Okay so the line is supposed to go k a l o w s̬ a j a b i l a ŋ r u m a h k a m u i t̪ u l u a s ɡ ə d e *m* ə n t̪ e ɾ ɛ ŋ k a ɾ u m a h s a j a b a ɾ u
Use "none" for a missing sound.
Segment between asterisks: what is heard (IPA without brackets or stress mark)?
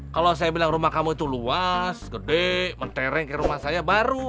m